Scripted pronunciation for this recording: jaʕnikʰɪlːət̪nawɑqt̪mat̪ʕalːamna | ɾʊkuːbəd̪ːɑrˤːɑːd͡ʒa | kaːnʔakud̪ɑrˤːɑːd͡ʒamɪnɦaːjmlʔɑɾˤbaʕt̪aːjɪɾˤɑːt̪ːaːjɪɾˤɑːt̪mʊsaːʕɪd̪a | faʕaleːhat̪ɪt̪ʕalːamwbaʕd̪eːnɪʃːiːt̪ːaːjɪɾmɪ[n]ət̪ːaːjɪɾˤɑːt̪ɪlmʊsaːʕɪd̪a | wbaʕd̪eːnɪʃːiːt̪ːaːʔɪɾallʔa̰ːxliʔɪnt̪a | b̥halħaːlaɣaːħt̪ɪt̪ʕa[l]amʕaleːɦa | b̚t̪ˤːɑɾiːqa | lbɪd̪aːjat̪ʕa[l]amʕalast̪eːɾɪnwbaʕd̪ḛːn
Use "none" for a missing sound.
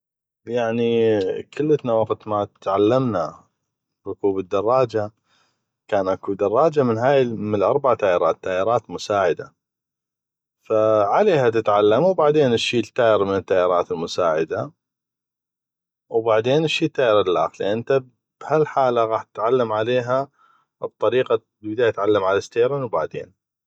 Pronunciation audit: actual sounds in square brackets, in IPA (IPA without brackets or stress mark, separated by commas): n, lː, lː